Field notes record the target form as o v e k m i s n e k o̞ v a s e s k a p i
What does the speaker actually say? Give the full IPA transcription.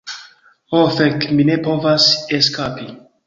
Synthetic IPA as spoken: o f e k m i n e p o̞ v a s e s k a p i